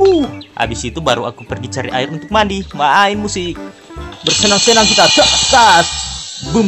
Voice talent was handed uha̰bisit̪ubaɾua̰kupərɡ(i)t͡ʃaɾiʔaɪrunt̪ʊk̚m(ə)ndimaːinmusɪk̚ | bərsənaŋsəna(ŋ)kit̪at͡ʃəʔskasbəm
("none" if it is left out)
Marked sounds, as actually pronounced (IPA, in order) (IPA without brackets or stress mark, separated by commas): i, a, ŋ